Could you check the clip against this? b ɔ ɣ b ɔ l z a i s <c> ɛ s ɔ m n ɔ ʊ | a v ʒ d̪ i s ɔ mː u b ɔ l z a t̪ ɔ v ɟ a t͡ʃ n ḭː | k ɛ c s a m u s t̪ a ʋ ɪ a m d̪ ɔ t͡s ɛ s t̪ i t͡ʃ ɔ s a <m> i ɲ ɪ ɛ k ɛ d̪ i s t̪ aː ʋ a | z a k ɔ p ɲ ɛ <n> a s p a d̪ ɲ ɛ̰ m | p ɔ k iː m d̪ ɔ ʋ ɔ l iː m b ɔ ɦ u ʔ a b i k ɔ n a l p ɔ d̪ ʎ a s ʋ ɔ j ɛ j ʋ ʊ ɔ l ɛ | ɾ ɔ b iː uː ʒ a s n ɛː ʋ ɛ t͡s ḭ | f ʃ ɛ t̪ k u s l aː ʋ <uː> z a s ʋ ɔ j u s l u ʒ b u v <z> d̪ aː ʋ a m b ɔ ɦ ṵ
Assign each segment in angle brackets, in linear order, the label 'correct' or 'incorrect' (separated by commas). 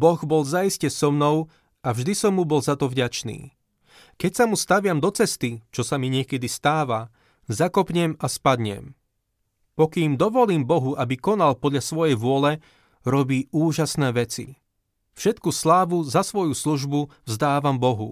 correct, correct, incorrect, incorrect, correct